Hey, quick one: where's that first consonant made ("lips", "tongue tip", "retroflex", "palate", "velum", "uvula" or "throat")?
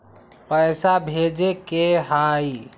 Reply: lips